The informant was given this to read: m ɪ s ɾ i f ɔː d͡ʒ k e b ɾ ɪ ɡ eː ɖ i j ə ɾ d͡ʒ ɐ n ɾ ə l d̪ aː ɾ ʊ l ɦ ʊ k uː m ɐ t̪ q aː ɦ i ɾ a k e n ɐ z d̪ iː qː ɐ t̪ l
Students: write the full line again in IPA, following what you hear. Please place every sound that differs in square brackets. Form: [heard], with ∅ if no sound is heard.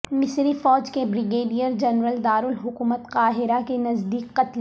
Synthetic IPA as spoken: m ɪ s ɾ i f ɔː d͡ʒ k e b ɾ ɪ ɡ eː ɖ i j ə ɾ d͡ʒ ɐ n ɾ ə l d̪ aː ɾ ʊ l ɦ ʊ k uː m [ə] t̪ q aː ɦ [ɪ] ɾ a k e n ɐ z d̪ iː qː ɐ t̪ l